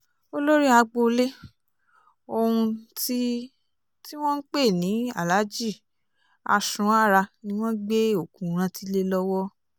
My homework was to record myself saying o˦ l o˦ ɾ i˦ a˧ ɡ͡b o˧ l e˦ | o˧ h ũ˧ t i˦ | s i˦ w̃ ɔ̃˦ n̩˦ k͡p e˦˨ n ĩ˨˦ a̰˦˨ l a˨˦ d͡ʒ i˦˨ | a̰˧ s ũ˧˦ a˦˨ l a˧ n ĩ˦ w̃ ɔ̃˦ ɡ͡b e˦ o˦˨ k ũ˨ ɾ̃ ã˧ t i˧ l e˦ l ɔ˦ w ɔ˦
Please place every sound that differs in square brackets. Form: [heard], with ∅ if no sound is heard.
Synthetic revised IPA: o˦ l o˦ ɾ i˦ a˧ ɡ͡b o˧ l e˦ | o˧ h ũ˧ t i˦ | [t] i˦ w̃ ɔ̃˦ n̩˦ k͡p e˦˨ n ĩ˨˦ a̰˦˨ l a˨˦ d͡ʒ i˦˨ | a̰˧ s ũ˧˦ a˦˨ [ɾ] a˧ n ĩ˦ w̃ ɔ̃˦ ɡ͡b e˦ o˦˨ k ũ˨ ɾ̃ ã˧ t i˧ l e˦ l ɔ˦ w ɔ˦